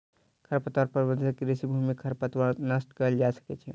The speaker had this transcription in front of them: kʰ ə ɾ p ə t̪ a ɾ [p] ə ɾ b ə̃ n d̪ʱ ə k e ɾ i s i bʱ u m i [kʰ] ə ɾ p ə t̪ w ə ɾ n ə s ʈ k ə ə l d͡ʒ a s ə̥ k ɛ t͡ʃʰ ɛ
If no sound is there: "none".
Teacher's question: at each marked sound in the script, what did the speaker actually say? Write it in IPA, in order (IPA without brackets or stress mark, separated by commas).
p, kʰ